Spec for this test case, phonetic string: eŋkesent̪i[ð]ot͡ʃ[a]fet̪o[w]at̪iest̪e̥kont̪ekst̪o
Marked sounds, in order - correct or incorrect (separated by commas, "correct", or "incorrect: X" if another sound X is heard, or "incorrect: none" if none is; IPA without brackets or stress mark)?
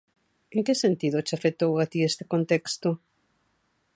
correct, correct, correct